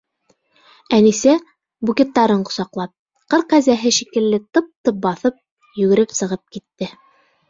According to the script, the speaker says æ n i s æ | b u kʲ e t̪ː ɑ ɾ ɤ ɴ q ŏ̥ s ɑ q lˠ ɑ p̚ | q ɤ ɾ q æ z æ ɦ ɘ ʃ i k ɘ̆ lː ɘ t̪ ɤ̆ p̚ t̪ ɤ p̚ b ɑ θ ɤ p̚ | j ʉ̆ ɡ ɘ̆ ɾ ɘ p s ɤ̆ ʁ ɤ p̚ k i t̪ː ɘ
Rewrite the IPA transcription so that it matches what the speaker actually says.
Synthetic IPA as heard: æ n i s æ | b u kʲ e t̪ː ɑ ɾ ɤ ɴ q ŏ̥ s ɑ q lˠ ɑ p̚ | q ɤ ɾ q æ z æ ɦ ɘ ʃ i k ɘ̆ lː ɘ t̪ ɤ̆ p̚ t̪ ɤ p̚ b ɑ θ ɤ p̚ | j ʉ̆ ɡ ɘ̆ ɾ ɘ p s ɤ̆ ʁ ɤ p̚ k i t̪ː ɘ